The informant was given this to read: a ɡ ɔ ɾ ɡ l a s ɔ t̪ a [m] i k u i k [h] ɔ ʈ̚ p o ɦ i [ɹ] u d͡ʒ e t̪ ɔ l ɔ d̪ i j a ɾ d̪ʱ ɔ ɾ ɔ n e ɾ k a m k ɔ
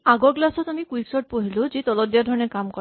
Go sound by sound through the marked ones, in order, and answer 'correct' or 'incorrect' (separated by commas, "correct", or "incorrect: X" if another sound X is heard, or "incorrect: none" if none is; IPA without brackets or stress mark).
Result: correct, incorrect: s, incorrect: l